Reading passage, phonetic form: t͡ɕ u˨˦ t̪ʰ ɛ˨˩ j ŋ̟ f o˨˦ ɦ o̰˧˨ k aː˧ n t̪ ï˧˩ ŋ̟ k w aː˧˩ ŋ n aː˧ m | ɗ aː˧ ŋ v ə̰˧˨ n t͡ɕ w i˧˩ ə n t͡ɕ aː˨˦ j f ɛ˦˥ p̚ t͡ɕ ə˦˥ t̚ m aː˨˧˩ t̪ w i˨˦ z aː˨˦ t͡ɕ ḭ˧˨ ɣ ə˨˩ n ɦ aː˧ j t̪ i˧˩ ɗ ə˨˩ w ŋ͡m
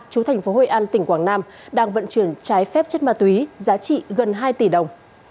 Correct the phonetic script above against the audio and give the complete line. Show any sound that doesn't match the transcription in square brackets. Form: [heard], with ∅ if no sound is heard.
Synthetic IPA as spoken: t͡ɕ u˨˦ t̪ʰ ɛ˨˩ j ŋ̟ f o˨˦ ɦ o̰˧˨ [ʔ] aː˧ n t̪ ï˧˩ ŋ̟ k w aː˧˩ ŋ n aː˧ m | ɗ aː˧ ŋ v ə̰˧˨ n t͡ɕ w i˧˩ ə n t͡ɕ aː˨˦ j f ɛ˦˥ p̚ t͡ɕ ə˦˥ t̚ m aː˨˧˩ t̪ w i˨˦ z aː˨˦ t͡ɕ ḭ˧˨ ɣ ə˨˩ n ɦ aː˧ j t̪ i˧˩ ɗ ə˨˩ w ŋ͡m